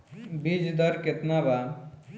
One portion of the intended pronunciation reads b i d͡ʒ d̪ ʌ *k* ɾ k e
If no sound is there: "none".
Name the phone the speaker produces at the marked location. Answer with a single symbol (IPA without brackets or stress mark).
none